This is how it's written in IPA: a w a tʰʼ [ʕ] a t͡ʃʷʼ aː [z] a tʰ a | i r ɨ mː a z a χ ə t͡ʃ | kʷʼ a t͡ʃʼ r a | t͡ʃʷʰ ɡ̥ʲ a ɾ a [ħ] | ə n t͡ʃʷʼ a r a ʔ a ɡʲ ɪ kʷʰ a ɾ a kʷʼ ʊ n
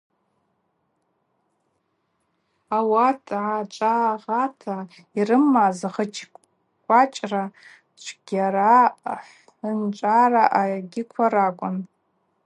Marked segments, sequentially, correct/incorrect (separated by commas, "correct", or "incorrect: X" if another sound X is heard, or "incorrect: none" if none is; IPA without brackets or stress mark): correct, incorrect: ʁ, correct